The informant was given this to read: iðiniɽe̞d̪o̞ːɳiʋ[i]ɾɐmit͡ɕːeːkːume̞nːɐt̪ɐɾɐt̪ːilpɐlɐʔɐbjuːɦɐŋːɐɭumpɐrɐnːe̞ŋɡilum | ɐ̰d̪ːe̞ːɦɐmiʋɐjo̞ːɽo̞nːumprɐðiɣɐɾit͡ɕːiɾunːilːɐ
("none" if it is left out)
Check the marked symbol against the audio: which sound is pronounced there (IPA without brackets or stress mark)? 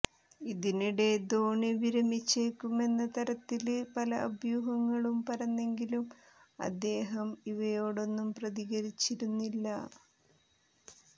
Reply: i